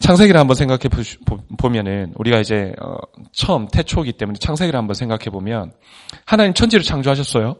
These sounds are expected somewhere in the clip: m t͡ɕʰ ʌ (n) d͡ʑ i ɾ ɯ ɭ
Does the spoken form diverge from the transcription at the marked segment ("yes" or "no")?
no